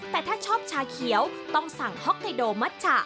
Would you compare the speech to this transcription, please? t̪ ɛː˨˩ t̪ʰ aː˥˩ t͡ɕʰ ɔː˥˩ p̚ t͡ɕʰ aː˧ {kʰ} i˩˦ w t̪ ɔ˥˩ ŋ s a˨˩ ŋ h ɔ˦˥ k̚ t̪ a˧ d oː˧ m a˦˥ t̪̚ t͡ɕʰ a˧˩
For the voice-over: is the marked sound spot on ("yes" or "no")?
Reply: yes